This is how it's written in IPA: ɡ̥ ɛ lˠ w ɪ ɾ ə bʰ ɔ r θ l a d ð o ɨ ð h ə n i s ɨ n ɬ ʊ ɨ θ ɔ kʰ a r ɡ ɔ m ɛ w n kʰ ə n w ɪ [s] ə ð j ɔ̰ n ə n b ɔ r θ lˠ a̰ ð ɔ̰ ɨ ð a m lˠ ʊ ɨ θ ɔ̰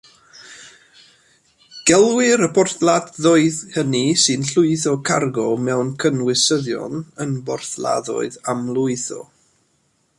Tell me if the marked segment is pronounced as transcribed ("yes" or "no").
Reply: yes